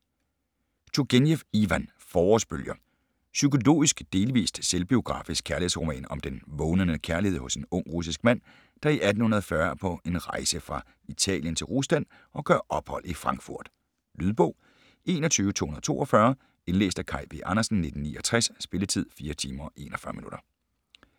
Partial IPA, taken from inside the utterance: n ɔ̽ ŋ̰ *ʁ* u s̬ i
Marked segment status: correct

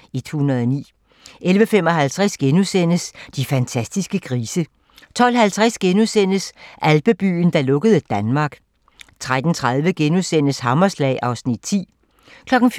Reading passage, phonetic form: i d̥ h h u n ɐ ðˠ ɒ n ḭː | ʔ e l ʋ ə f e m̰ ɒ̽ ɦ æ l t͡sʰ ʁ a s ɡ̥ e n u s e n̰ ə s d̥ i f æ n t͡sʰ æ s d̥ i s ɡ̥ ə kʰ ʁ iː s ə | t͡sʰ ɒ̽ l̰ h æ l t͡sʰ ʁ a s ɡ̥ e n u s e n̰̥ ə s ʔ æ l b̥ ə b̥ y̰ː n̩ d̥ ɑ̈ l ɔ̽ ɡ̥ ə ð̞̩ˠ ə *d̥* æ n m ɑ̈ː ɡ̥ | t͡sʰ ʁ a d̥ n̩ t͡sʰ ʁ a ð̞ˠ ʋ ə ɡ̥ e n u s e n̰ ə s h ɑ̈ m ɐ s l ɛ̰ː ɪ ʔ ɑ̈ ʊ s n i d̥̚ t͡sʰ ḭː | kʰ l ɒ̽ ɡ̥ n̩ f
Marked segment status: correct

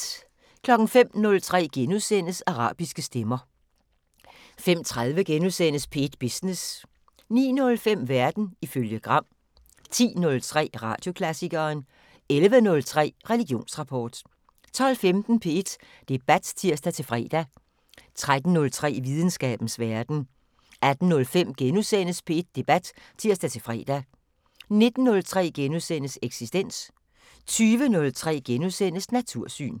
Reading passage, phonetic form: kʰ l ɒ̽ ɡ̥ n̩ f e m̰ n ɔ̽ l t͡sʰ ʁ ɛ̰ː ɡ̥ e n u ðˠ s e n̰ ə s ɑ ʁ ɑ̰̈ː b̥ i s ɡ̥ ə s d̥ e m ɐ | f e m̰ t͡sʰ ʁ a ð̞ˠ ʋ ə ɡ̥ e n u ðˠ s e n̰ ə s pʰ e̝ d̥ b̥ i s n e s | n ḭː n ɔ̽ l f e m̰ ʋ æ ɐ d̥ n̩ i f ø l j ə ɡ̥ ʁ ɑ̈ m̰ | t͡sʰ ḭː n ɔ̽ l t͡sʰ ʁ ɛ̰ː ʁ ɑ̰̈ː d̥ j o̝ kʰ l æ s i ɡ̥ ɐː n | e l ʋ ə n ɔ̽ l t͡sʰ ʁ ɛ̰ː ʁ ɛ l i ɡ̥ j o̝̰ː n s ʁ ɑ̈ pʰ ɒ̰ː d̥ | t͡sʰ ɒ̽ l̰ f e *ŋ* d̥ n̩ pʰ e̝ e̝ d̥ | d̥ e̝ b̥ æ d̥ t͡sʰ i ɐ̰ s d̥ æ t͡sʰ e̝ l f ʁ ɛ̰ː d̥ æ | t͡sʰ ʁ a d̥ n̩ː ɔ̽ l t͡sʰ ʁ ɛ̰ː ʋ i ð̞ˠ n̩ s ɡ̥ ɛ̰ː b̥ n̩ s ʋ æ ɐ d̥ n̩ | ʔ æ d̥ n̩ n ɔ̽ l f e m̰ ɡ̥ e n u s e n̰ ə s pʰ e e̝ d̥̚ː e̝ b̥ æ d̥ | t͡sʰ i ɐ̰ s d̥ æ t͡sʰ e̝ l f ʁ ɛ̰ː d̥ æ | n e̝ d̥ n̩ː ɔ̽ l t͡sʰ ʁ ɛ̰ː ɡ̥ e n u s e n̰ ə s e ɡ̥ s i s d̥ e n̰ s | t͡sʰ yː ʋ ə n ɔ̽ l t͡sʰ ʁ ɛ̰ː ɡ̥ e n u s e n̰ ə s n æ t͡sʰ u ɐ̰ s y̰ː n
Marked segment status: incorrect: m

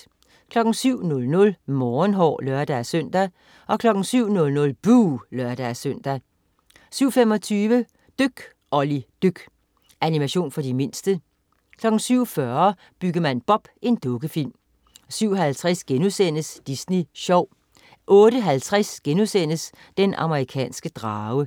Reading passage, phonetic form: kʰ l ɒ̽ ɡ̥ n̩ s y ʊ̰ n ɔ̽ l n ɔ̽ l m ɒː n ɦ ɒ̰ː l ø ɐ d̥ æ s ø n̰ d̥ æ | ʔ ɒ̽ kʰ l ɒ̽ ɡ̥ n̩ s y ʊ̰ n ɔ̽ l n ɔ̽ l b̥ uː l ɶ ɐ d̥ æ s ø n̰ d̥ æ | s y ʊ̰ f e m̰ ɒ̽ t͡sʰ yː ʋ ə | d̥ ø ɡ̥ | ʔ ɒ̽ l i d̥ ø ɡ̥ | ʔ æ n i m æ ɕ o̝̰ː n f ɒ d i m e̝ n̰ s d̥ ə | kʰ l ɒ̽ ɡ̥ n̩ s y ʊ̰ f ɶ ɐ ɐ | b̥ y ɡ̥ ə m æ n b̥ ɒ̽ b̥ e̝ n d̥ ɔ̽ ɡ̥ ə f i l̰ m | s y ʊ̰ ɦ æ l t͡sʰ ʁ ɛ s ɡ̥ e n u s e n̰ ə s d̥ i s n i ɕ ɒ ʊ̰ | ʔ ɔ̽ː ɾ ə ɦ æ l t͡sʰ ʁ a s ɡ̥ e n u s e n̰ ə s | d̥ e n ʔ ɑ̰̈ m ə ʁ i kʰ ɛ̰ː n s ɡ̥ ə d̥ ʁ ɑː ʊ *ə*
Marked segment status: correct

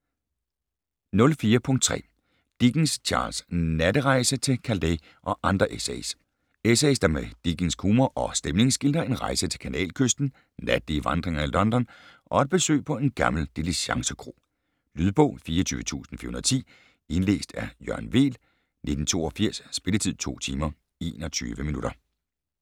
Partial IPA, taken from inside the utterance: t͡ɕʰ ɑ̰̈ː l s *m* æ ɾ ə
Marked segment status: incorrect: n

